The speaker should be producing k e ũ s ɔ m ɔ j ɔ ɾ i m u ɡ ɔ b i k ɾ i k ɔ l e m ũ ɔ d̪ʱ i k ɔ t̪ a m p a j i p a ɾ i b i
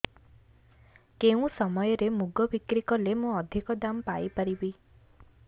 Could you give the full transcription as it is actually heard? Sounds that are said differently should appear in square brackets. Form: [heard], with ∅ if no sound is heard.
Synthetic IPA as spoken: k e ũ s ɔ m ɔ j ɔ ɾ [e] m u ɡ ɔ b i k ɾ i k ɔ l e m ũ ɔ d̪ʱ i k ɔ [d̪] a m p a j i p a ɾ i b i